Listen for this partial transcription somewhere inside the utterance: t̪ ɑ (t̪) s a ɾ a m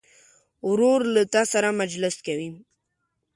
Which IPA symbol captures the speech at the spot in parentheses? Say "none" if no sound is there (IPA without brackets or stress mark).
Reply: none